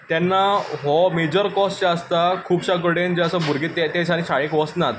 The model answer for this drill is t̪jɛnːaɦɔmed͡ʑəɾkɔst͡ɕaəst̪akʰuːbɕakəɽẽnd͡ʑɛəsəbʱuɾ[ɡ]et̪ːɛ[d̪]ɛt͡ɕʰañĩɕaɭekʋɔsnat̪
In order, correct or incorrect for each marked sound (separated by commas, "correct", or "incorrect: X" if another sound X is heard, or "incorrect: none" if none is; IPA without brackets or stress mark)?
correct, incorrect: t̪